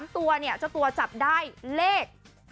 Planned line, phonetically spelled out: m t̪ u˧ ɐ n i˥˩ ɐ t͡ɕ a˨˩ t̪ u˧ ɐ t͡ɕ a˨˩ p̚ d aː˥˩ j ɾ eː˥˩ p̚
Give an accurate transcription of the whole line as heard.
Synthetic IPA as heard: m t̪ u˧ ɐ n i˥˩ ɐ t͡ɕ a˨˩ t̪ u˧ ɐ t͡ɕ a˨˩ p̚ d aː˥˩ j l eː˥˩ k̚

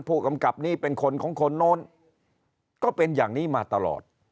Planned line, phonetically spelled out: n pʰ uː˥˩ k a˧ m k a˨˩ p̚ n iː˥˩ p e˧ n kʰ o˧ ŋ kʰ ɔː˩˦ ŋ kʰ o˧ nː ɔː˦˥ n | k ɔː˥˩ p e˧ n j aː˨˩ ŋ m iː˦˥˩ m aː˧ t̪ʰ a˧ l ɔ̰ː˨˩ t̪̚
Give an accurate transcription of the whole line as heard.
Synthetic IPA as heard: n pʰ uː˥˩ k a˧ m k a˨˩ p̚ n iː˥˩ p e˧ n kʰ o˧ n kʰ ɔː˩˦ ŋ kʰ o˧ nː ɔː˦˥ n | k ɔː˥˩ p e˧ n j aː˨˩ ŋ n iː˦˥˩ m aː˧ t̪ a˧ l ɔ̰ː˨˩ t̪̚

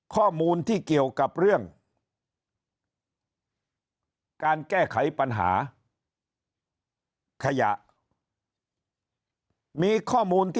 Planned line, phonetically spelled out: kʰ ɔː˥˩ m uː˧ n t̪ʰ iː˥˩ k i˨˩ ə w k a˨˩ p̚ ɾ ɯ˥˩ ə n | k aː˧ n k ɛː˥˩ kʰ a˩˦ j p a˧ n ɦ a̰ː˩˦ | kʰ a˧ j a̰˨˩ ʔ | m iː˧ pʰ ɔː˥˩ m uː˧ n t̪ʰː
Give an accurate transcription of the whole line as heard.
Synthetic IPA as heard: kʰ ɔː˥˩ m uː˧ n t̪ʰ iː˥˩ k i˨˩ ə w k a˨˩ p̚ ɾ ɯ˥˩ ə ŋ | k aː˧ n k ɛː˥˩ kʰ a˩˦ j p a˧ n ɦ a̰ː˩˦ | kʰ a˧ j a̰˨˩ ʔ | m iː˧ kʰ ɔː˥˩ m uː˧ n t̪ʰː

